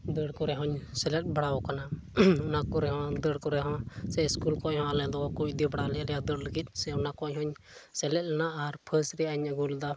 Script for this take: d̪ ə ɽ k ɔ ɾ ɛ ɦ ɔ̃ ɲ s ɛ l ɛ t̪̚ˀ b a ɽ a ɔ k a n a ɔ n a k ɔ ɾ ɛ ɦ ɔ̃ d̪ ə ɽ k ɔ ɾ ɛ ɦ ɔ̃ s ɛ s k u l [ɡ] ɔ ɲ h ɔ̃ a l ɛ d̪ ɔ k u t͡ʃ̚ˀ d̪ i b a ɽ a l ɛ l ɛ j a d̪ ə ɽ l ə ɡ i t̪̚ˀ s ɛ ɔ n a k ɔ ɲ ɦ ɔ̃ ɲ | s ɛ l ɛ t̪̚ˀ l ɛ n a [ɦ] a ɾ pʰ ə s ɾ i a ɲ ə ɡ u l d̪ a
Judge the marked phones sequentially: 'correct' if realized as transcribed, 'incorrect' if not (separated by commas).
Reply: incorrect, incorrect